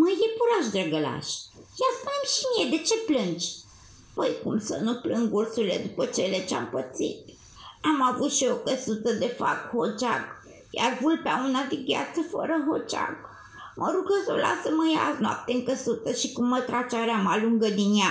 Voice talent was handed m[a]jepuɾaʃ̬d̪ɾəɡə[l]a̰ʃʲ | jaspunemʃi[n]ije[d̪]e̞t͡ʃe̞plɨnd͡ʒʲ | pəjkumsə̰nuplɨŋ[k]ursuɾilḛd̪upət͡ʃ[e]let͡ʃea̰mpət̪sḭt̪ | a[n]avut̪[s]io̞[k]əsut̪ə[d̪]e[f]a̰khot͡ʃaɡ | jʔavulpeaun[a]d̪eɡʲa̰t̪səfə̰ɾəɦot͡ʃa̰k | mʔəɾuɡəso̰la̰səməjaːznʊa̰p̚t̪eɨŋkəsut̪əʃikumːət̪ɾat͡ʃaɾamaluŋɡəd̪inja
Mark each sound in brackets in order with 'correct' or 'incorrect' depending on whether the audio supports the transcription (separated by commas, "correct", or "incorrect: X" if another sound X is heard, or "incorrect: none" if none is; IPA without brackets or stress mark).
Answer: incorrect: ə, correct, incorrect: m, correct, incorrect: ɡ, correct, incorrect: m, incorrect: ʃ, correct, correct, correct, correct